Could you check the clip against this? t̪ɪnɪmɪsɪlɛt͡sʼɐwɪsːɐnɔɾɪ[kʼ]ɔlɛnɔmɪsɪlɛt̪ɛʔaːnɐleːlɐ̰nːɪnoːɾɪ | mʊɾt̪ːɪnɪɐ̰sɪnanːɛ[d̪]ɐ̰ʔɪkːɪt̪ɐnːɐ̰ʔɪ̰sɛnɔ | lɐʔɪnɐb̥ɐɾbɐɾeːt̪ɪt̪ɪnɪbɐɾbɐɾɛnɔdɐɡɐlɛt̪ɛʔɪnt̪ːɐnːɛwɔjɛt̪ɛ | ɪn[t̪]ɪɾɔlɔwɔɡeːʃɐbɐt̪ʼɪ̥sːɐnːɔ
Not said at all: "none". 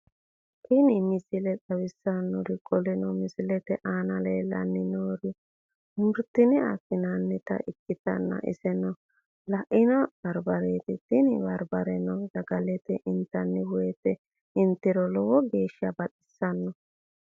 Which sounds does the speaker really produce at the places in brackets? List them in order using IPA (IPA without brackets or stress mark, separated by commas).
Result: kʼ, t̪, t̪